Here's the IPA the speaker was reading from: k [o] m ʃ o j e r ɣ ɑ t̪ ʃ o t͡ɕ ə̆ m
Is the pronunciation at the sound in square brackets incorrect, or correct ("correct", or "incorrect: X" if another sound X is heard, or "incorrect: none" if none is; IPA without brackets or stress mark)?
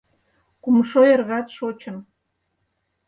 incorrect: u